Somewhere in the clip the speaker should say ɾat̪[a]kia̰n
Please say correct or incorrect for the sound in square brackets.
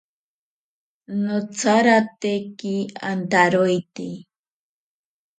incorrect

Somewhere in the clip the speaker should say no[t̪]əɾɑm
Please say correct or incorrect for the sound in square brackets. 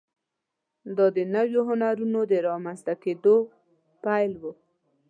incorrect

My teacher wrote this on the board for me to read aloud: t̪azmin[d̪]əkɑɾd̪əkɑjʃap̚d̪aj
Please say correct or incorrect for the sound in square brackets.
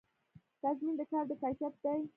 correct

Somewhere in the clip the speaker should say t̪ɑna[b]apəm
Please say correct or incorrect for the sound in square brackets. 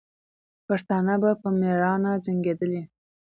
correct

